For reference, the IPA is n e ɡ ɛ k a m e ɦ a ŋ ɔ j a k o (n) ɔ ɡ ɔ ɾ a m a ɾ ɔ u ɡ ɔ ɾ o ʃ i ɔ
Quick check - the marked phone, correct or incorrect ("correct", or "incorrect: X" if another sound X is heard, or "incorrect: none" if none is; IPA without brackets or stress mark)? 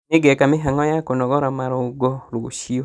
correct